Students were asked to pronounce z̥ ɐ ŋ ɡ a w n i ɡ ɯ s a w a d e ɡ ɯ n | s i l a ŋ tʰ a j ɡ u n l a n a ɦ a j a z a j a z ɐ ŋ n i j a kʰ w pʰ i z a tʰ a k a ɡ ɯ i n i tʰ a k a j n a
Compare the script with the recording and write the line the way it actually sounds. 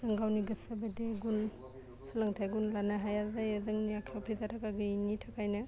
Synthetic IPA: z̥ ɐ ŋ ɡ a w n i ɡ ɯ s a b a d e ɡ u n | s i l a ŋ tʰ a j ɡ u n l a n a ɦ a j a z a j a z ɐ ŋ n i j a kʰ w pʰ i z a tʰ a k a ɡ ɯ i n i tʰ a k a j n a